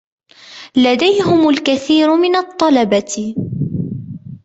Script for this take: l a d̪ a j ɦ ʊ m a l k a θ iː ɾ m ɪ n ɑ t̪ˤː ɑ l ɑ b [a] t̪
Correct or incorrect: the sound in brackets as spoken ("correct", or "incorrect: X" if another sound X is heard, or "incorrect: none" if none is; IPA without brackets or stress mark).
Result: correct